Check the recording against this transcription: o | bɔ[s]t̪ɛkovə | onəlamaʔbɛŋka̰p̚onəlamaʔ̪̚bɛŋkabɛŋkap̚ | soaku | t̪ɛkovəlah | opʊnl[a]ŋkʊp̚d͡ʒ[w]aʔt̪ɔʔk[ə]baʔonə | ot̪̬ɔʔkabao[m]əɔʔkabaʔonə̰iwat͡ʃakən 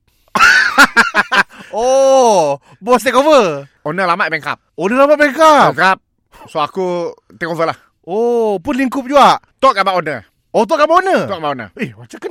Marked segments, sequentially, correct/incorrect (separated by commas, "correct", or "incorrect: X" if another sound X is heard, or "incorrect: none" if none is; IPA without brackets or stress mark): correct, incorrect: i, incorrect: u, incorrect: a, incorrect: n